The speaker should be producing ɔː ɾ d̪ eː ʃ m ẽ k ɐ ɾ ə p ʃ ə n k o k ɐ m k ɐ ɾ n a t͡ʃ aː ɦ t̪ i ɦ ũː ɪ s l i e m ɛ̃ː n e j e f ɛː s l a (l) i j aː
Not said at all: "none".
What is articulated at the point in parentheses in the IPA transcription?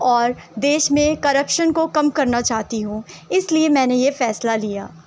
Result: l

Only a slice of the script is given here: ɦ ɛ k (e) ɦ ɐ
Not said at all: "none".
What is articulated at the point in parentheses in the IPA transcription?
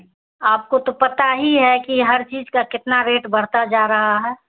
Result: i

